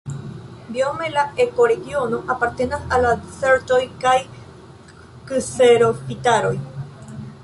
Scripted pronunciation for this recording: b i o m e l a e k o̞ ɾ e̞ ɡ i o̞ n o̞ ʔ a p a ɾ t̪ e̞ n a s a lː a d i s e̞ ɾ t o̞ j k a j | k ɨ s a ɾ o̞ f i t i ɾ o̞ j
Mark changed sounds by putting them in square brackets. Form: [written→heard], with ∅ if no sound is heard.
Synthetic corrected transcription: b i o m e l a e k o̞ ɾ e̞ ɡ i o̞ n o̞ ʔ a p a ɾ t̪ e̞ n a s a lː a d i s e̞ ɾ t o̞ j k a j | k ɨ s [a→e] ɾ o̞ f i t [i→a] ɾ o̞ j

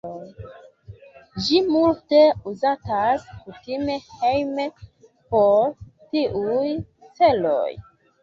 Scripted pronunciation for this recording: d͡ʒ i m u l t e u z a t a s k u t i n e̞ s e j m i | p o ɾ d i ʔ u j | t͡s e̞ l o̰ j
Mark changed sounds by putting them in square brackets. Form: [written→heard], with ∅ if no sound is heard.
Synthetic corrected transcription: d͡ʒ i m u l t e u z a t a s k u t i [n→m] e̞ [s→h] e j m [i→e] | p o ɾ [d→t] i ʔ u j | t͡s e̞ l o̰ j

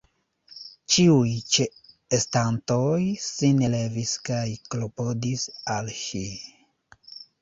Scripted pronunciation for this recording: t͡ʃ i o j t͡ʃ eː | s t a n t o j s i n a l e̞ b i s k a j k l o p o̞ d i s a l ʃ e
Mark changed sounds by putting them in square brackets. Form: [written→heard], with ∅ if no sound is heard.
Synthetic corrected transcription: t͡ʃ i [o→u] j t͡ʃ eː | s t a n t o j s i n [a→e] l e̞ [b→v] i s k a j k l o p o̞ d i s a l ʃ [e→i]

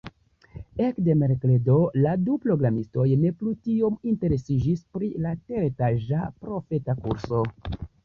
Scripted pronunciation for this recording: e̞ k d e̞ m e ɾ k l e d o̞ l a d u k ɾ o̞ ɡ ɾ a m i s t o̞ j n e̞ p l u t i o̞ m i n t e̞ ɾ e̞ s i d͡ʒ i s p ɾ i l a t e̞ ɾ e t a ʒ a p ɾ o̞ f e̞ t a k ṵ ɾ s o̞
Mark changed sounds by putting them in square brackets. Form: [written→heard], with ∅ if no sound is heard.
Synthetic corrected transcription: e̞ k d e̞ m e ɾ k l e d o̞ l a d u [k→p] ɾ o̞ ɡ ɾ a m i s t o̞ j n e̞ p l u t i o̞ m i n t e̞ ɾ e̞ s i d͡ʒ i s p ɾ i l a t e̞ ɾ e t a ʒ a p ɾ o̞ f e̞ t a k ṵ ɾ s o̞

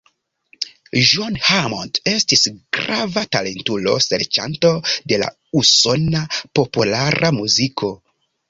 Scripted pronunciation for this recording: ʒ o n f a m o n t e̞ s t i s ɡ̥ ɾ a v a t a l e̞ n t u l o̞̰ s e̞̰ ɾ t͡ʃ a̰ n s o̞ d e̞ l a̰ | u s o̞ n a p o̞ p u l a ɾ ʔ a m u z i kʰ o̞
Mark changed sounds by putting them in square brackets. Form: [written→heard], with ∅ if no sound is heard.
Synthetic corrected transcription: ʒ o n [f→h] a m o n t e̞ s t i s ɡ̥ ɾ a v a t a l e̞ n t u l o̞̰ s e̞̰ ɾ t͡ʃ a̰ n [s→t] o̞ d e̞ l a̰ | u s o̞ n a p o̞ p u l a ɾ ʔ a m u z i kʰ o̞

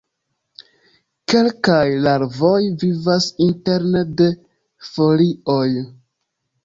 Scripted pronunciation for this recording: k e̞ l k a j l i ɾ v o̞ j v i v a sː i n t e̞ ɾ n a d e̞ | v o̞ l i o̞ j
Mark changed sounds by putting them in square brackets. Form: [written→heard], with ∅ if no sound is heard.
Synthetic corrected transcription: k e̞ l k a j l [i→a] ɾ v o̞ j v i v a [sː→s] i n t e̞ ɾ n [a→e] d e̞ | [v→f] o̞ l i o̞ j

